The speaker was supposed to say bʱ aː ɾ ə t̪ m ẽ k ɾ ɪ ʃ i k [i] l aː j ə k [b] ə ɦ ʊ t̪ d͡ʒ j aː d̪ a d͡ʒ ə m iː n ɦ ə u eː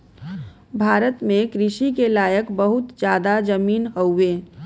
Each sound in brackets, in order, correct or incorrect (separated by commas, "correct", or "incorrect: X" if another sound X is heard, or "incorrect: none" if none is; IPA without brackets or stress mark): incorrect: e, correct